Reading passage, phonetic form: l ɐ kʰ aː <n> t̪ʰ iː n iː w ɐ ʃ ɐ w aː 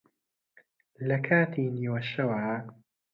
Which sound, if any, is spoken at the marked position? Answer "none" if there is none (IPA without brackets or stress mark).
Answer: none